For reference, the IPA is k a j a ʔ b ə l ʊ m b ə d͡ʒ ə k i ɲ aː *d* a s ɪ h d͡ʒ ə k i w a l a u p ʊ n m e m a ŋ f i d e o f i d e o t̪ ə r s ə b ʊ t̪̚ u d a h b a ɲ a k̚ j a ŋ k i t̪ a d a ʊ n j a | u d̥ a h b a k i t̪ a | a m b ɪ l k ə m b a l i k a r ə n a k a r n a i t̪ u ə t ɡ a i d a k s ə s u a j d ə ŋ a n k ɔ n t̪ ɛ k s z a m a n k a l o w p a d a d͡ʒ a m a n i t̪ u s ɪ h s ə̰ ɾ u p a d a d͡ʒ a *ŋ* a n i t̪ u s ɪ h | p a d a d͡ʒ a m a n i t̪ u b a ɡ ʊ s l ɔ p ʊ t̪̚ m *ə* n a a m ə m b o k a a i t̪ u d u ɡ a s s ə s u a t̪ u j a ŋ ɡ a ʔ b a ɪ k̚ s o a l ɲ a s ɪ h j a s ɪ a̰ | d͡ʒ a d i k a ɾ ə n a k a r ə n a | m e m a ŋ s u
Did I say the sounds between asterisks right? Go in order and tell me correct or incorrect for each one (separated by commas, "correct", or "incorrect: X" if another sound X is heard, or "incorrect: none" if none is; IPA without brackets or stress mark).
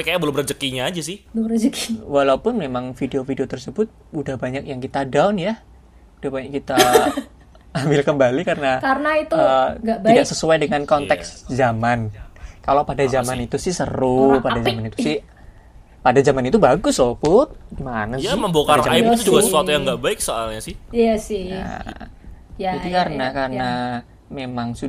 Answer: incorrect: d͡ʒ, incorrect: m, incorrect: a